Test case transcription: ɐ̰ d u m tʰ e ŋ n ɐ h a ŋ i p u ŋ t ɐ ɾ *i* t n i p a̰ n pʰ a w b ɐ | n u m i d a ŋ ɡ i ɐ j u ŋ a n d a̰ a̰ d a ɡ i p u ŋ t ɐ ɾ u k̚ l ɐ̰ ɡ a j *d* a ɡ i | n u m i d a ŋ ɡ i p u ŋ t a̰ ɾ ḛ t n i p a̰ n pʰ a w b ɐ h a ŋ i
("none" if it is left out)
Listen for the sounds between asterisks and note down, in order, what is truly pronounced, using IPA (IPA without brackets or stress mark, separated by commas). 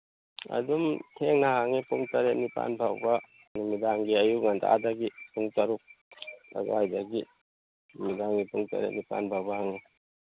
e, d